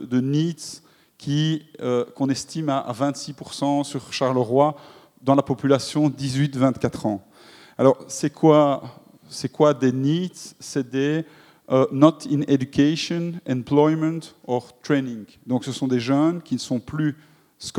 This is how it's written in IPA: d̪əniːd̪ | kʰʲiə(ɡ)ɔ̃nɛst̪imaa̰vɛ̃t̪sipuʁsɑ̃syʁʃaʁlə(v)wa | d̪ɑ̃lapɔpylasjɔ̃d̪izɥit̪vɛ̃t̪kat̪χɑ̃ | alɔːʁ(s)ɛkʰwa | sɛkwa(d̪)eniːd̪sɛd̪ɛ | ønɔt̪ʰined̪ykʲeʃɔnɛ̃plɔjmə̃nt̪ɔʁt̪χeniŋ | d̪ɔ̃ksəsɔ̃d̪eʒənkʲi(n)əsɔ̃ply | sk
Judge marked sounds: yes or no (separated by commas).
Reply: no, no, yes, yes, yes